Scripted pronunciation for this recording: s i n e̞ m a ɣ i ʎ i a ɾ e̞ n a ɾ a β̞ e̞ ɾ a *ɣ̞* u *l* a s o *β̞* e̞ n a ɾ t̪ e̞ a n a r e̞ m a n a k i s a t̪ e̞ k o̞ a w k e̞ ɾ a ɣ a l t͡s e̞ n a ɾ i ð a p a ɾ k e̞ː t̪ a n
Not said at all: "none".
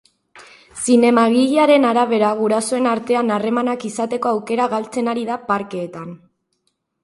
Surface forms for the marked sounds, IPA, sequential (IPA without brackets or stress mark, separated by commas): ɣ̞, ɾ, none